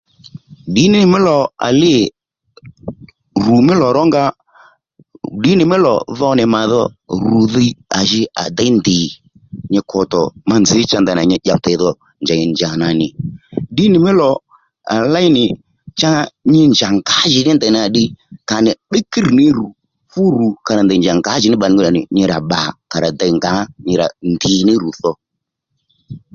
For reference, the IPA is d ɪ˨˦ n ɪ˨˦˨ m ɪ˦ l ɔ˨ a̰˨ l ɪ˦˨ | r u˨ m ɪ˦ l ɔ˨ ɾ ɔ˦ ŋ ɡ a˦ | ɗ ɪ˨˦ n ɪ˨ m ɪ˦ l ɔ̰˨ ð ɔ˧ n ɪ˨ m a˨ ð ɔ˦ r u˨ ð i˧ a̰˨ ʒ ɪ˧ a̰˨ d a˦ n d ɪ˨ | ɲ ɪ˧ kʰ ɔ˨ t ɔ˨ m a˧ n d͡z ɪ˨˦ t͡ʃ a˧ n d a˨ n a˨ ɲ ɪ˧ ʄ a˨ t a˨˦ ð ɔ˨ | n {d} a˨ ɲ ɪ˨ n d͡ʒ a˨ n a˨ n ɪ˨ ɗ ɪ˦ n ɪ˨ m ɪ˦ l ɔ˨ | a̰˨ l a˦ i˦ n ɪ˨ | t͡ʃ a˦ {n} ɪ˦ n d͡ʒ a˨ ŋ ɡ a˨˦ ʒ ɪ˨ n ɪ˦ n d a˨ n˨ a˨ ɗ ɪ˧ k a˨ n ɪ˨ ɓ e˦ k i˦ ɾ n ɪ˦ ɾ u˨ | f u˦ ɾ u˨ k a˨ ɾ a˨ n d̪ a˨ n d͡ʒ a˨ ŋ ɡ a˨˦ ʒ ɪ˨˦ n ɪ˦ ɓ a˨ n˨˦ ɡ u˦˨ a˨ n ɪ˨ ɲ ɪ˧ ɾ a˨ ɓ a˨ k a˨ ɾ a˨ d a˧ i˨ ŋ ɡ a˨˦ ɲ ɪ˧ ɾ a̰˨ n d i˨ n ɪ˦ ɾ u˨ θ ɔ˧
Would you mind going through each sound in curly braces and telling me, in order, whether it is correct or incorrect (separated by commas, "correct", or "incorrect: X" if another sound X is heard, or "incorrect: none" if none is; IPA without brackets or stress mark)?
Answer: incorrect: d͡ʒ, incorrect: ɲ